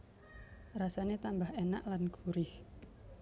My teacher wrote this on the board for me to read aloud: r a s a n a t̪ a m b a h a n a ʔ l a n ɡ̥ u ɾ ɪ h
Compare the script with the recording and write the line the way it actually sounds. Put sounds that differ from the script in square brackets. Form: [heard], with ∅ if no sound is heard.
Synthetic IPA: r a s a n [e] t̪ a m b a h [e] n a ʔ l a n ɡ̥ u ɾ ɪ h